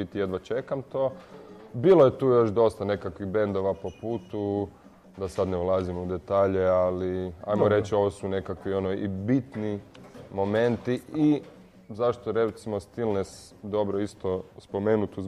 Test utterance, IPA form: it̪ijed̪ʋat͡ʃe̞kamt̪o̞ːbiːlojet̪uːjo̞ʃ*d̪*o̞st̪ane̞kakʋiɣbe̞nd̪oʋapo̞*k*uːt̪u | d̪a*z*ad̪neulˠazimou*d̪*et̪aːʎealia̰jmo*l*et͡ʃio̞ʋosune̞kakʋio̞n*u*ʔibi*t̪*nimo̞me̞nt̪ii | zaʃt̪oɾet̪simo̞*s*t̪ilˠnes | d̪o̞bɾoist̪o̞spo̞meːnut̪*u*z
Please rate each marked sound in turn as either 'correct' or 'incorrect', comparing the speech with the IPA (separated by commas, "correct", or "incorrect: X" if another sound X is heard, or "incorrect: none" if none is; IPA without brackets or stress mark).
correct, incorrect: p, incorrect: s, correct, incorrect: ɾ, incorrect: o, correct, correct, correct